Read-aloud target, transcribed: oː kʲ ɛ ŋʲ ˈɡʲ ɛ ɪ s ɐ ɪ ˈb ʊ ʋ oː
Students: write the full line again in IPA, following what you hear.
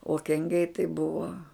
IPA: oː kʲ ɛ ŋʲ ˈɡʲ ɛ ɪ t ɐ ɪ ˈb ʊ ʋ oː